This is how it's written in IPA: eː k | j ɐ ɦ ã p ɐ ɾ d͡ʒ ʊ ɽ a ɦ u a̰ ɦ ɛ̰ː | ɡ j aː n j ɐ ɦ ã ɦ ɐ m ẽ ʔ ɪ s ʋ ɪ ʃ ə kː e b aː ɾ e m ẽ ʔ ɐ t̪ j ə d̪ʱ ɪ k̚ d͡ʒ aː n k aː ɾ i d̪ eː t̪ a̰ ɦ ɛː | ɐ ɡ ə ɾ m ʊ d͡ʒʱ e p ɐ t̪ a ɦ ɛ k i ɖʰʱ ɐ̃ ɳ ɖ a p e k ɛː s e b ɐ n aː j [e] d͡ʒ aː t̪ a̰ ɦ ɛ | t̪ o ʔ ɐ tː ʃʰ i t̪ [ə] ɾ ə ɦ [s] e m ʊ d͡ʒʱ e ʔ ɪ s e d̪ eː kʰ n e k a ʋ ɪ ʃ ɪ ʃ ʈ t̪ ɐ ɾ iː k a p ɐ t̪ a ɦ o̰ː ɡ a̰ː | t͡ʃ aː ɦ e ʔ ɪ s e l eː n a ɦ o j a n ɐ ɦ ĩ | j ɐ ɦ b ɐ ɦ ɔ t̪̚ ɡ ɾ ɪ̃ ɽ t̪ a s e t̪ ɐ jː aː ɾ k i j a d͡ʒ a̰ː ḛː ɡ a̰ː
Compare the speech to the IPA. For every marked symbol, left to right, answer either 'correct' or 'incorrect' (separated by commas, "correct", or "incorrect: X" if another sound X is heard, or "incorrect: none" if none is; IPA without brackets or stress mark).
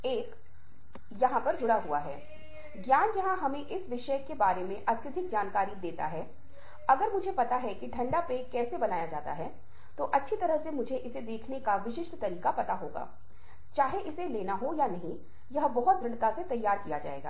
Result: incorrect: a, incorrect: ɐ, correct